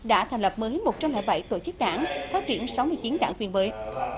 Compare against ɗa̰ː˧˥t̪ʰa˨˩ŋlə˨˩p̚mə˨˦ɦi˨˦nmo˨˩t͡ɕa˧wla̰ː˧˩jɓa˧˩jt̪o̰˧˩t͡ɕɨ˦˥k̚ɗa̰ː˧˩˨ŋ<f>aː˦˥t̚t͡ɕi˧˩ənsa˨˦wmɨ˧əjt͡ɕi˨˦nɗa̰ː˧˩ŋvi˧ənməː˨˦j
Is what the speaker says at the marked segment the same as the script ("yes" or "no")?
yes